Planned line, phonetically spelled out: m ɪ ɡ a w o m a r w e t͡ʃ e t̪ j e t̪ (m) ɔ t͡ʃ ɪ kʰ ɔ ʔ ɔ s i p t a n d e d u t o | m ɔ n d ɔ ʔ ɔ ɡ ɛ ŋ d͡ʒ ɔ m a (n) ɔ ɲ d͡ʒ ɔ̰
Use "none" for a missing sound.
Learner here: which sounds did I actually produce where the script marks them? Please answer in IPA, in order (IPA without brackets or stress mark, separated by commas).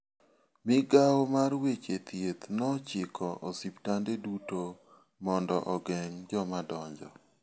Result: n, d